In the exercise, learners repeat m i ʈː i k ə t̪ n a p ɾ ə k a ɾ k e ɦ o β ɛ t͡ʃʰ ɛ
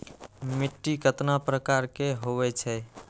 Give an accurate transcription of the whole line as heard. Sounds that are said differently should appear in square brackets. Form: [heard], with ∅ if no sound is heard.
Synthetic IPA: m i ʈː i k ə t̪ n a p ɾ ə k a ɾ k e ɦ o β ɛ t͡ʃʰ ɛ